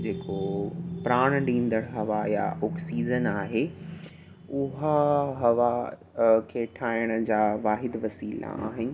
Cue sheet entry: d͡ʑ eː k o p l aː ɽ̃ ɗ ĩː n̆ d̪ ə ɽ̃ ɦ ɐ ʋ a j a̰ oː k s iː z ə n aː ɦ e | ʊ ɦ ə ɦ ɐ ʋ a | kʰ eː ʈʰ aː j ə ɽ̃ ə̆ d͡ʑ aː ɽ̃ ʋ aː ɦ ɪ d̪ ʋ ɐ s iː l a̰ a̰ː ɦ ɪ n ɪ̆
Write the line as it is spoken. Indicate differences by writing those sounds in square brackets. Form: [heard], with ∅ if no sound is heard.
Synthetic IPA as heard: d͡ʑ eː k o p [ɾ] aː ɽ̃ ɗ ĩː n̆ d̪ ə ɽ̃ ɦ ɐ ʋ a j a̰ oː k s iː z ə n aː ɦ e | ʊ ɦ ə ɦ ɐ ʋ a | kʰ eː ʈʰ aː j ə ɽ̃ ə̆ d͡ʑ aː [∅] ʋ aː ɦ ɪ d̪ ʋ ɐ s iː l a̰ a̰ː ɦ ɪ n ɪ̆